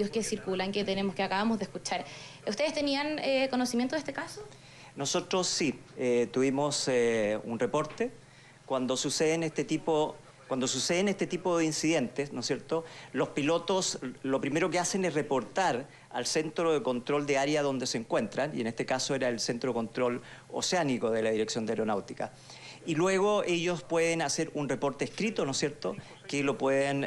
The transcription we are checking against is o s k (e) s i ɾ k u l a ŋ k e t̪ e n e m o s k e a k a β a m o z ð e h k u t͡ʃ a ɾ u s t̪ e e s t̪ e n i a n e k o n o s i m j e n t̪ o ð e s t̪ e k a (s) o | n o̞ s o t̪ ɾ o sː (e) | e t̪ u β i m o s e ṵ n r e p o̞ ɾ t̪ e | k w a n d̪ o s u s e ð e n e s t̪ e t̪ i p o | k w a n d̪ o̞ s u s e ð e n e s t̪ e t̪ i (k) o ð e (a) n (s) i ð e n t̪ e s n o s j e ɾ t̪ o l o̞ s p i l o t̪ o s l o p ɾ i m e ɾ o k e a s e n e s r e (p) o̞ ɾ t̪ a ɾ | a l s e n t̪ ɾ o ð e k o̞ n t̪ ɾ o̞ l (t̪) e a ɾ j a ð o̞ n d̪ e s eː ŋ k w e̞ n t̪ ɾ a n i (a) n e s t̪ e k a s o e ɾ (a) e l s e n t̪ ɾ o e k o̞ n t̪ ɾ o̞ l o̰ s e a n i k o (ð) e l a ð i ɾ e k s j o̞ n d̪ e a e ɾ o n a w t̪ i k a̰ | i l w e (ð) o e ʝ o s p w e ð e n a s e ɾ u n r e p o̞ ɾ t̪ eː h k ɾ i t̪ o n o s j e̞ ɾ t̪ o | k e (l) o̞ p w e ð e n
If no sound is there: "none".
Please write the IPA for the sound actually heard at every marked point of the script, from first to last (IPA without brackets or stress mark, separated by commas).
e, s, i, p, i, s, p, d̪, e, a, ð, ɣ, l